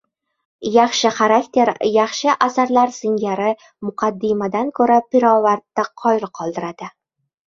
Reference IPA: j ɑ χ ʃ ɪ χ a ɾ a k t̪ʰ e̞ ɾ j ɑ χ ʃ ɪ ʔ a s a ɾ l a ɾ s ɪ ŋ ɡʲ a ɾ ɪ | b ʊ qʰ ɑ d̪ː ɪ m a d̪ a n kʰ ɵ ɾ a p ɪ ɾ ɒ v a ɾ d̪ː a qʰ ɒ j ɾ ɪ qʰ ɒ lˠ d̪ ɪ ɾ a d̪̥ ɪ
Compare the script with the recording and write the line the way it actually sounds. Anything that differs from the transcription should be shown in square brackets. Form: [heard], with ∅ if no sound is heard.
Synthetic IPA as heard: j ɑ χ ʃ ɪ χ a ɾ a k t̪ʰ e̞ ɾ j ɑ χ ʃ ɪ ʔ a s a ɾ l a ɾ s ɪ ŋ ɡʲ a ɾ ɪ | [m] ʊ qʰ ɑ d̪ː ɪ m a d̪ a n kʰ ɵ ɾ a p ɪ ɾ ɒ v a ɾ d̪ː a qʰ ɒ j ɾ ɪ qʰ ɒ lˠ d̪ ɪ ɾ a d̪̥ ɪ